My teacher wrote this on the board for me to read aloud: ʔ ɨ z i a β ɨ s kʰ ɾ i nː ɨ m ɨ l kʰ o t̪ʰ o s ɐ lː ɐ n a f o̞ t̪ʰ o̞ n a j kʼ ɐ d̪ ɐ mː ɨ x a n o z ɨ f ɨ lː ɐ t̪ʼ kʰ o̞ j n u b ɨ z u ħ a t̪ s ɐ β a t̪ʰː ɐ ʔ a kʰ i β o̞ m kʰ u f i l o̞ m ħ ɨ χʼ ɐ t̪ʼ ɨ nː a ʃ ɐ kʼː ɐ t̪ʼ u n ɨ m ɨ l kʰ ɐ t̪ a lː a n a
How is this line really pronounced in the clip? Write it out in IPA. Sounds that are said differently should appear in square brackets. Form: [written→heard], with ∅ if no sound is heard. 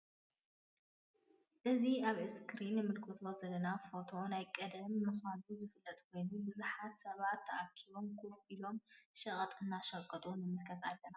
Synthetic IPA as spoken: ʔ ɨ z i a β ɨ s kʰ ɾ i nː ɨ m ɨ l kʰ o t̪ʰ o [s→z] ɐ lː ɐ n a f o̞ t̪ʰ o̞ n a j kʼ ɐ d̪ ɐ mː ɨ x a n [o→u] z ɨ f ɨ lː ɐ t̪ʼ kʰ o̞ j n u b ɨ z u ħ a t̪ s ɐ β a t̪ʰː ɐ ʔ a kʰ i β o̞ m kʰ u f i l o̞ m [ħ→ʃ] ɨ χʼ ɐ t̪ʼ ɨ nː a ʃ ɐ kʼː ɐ t̪ʼ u n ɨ m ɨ l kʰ ɐ t̪ a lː [a→ɐ] n a